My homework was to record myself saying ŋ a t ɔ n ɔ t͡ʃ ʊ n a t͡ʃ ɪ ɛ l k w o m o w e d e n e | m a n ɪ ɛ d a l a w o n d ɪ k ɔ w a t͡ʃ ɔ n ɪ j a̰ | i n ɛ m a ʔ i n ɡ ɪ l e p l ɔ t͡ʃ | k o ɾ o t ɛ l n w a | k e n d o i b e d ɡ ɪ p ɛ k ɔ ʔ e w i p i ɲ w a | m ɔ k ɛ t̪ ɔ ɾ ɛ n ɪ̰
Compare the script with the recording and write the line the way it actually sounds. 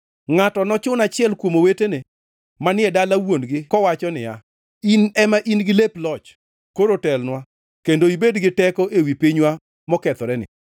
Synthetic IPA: ŋ a t ɔ n ɔ t͡ʃ ʊ n a t͡ʃ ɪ ɛ l k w o m o w e t e n e | m a n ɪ ɛ d a l a w o n ɡ ɪ k ɔ w a t͡ʃ ɔ n ɪ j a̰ | i n ɛ m a ʔ i n ɡ ɪ l e p l ɔ t͡ʃ | k o ɾ o t ɛ l n w a | k e n d o i b e d ɡ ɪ t ɛ k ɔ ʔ e w i p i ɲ w a | m ɔ k ɛ t̪ ɔ ɾ ɛ n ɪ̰